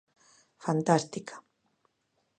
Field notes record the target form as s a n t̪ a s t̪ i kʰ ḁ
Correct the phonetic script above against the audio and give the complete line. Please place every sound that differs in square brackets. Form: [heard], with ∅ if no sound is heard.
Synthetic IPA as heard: [f] a n t̪ a s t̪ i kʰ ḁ

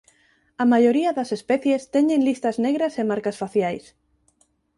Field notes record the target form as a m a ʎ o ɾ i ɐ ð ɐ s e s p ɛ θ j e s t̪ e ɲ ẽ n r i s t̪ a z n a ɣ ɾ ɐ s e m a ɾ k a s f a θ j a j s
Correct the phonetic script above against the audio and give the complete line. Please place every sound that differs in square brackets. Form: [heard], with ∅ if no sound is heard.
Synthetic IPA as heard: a m a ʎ o ɾ i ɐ ð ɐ s e s p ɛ θ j e s t̪ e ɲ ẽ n [l] i s t̪ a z n [e] ɣ ɾ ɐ s e m a ɾ k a s f a θ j a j s

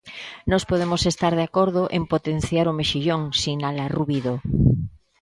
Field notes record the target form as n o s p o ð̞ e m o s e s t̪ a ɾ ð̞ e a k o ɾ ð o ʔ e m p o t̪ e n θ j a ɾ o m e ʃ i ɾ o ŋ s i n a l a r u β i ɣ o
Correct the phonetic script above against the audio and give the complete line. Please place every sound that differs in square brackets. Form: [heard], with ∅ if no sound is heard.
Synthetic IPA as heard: n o s p o ð̞ e m o s e s t̪ a ɾ ð̞ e a k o ɾ ð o ʔ e m p o t̪ e n θ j a ɾ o m e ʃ i [ʎ] o ŋ s i n a l a r u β i [ð] o

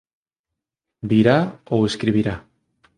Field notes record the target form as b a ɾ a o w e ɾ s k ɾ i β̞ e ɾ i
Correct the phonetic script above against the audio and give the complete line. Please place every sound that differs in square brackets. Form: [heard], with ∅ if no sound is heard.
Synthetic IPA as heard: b [i] ɾ a o w e [∅] s k ɾ i β̞ [i] ɾ [a]

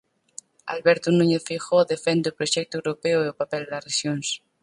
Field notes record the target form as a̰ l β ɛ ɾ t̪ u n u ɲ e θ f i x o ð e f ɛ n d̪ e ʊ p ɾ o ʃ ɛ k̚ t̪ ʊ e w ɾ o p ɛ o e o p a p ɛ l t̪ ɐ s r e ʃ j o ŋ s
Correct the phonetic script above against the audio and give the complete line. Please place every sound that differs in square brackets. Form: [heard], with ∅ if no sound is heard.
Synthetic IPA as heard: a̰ l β ɛ ɾ t̪ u n u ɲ e θ f i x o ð e f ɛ n d̪ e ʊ p ɾ o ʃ ɛ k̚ t̪ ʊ e w ɾ o p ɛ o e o p a p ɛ l [d̪] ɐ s r e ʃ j o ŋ s

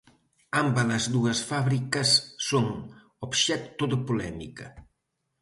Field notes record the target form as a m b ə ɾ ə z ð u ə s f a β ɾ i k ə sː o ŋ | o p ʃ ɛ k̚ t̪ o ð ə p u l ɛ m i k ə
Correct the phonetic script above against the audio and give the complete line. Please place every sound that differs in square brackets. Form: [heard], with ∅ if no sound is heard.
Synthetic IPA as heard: a m b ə [l] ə z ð u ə s f a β ɾ i k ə sː o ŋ | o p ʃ ɛ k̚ t̪ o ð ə p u l ɛ m i k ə

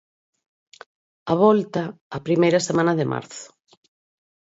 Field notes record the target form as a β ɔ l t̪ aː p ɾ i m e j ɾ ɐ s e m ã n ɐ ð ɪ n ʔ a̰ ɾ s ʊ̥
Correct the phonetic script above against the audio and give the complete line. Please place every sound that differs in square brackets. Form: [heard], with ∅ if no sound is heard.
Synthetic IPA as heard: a β ɔ l t̪ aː p ɾ i m e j ɾ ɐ s e m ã n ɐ ð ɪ [m] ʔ a̰ ɾ [θ] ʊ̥

